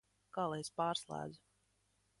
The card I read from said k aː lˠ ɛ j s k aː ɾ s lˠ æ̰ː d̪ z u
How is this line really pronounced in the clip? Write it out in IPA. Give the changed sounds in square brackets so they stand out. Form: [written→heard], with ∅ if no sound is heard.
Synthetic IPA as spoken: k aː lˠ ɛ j s [k→p] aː ɾ s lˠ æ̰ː d̪ z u